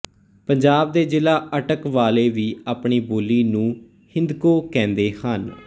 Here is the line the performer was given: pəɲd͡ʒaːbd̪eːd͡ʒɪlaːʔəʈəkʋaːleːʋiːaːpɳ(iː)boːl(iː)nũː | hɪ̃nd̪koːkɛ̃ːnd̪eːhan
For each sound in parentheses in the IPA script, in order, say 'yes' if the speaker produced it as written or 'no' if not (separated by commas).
yes, yes